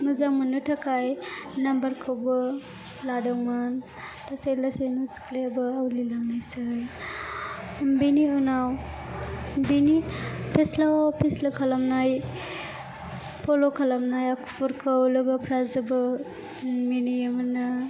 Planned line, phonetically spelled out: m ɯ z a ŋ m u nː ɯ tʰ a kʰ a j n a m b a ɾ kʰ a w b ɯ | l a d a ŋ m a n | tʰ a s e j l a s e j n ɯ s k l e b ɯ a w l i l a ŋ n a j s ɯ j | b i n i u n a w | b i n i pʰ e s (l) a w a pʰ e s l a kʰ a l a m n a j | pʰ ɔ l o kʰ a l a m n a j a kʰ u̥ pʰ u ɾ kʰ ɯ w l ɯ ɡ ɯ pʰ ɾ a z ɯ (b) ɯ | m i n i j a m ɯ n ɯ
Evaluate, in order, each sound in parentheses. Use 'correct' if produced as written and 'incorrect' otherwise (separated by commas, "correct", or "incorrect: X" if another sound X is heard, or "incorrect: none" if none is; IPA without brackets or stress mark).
correct, correct